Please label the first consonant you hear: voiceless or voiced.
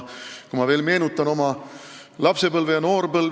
voiceless